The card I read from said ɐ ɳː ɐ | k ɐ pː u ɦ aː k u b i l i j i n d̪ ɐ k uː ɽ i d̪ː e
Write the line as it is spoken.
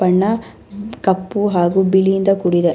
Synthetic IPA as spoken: ɐ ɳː ɐ | k ɐ pː u ɦ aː ɡ u b i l i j i n d̪ ɐ k u ɽ i d̪ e